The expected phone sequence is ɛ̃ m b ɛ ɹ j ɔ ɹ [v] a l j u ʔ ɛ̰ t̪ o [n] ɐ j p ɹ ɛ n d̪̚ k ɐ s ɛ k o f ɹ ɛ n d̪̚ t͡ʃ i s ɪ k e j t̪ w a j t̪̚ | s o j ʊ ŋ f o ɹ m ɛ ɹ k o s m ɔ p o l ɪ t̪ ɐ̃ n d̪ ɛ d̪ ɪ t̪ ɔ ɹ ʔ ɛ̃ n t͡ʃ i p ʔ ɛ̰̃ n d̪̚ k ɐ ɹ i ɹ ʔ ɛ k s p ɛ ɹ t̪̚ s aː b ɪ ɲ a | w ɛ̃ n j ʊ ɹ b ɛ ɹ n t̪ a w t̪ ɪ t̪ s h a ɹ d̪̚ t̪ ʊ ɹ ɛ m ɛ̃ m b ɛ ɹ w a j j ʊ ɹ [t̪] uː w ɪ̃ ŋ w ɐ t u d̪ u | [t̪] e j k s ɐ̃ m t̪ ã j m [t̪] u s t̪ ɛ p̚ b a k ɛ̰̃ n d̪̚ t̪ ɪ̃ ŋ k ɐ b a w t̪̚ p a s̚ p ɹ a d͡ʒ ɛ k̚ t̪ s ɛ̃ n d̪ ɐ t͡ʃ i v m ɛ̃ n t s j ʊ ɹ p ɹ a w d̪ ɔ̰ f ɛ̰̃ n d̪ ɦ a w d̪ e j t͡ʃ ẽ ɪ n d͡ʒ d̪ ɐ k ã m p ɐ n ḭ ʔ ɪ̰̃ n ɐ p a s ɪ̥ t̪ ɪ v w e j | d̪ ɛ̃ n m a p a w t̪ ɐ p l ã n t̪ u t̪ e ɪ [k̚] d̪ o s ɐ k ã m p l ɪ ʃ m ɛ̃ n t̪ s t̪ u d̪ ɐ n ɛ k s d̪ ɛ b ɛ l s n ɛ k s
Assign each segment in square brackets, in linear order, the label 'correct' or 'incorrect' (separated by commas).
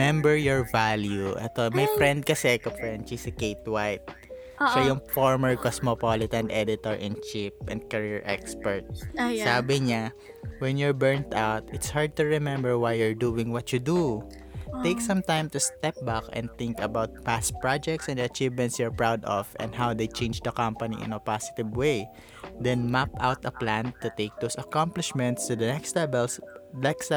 correct, incorrect, incorrect, correct, correct, correct